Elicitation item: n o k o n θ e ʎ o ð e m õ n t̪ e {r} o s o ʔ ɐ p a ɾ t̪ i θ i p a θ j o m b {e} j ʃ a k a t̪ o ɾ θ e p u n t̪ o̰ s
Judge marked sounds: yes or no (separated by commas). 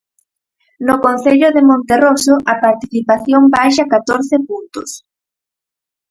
yes, no